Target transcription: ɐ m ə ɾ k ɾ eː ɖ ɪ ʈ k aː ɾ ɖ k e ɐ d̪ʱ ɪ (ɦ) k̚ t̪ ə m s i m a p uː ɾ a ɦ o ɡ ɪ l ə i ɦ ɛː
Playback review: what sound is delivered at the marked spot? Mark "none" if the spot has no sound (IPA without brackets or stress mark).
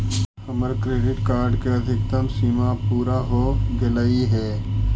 none